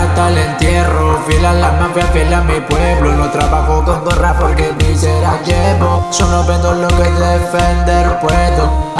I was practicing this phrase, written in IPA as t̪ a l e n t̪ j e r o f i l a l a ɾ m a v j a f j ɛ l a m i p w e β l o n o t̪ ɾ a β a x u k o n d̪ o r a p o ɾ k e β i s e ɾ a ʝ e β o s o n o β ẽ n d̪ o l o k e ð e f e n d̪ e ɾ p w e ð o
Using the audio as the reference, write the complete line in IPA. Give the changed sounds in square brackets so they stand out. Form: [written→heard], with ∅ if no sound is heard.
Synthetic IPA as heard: t̪ a l e n t̪ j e r o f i l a l a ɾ m a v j a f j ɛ l a m i p w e β l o n o t̪ ɾ a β a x [u→o] k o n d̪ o r a p o ɾ k e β i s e ɾ a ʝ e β o s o n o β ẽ n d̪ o l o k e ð e f e n d̪ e ɾ p w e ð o